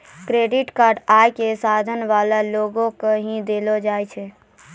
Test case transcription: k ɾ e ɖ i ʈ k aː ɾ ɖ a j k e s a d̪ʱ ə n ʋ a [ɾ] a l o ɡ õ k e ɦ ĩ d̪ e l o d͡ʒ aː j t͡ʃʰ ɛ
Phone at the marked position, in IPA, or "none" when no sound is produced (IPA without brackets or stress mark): l